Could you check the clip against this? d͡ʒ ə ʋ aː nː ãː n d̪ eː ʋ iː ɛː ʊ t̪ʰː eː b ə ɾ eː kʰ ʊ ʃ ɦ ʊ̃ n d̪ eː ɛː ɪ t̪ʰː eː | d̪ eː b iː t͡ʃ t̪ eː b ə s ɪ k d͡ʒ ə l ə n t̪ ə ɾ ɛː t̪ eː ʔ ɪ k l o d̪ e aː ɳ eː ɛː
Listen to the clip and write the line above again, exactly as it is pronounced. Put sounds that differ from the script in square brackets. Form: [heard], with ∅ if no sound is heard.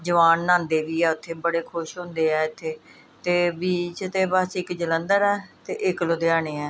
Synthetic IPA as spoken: d͡ʒ ə ʋ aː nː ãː n d̪ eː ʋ iː ɛː ʊ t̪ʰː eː b ə [ɽ] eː kʰ ʊ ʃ ɦ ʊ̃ n d̪ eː ɛː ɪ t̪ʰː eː | [t̪] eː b iː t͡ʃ t̪ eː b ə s ɪ k d͡ʒ ə l ə n [d̪] ə ɾ ɛː t̪ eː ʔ ɪ k l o d̪ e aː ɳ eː ɛː